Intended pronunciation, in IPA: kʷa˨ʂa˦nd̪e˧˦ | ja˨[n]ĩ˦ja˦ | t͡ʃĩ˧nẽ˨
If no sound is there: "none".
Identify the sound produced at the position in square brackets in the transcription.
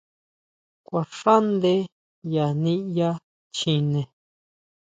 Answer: n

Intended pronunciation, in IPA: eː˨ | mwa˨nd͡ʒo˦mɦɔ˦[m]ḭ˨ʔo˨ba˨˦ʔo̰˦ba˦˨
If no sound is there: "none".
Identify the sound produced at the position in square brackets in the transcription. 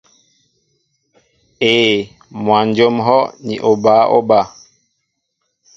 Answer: n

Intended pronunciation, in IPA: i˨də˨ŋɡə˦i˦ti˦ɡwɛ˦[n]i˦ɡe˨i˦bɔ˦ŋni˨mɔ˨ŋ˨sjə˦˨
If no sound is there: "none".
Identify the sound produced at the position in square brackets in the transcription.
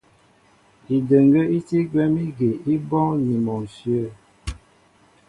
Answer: m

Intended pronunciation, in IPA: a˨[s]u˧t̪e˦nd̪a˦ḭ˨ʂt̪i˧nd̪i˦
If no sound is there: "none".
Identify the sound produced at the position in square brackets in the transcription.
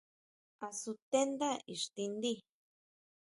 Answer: s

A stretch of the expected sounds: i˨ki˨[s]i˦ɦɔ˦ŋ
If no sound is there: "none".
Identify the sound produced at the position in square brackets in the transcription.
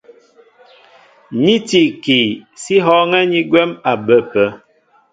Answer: s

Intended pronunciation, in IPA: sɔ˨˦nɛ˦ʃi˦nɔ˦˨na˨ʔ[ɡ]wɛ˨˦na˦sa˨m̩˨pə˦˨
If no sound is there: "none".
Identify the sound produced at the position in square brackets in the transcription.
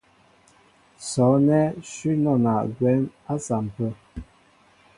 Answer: ɡ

